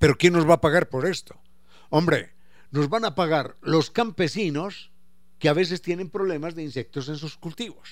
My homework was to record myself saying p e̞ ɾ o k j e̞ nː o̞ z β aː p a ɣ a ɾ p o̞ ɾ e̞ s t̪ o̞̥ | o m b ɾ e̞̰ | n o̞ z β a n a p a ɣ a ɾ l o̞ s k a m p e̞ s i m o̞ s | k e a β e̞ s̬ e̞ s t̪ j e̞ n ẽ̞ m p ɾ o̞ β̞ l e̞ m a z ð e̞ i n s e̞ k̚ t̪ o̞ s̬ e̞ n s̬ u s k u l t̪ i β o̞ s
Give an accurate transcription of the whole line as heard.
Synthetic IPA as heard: p e̞ ɾ o k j e̞ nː o̞ z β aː p a ɣ a ɾ p o̞ ɾ e̞ s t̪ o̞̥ | o m b ɾ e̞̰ | n o̞ z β a n a p a ɣ a ɾ l o̞ s k a m p e̞ s i n o̞ s | k e a β e̞ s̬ e̞ s t̪ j e̞ n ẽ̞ m p ɾ o̞ β̞ l e̞ m a z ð e̞ i n s e̞ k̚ t̪ o̞ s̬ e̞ n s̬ u s k u l t̪ i β o̞ s